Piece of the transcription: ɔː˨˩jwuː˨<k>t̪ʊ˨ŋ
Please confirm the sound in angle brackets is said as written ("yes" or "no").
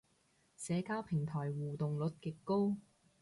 no